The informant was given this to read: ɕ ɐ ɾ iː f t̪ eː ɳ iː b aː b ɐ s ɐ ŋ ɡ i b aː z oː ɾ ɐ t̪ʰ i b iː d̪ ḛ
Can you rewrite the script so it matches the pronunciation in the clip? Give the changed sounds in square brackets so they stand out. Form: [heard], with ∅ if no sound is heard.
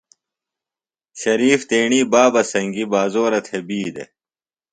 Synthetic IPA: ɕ ɐ ɾ iː f t̪ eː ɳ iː b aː b ɐ s ɐ ŋ ɡ i b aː z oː ɾ ɐ t̪ʰ [e] b iː d̪ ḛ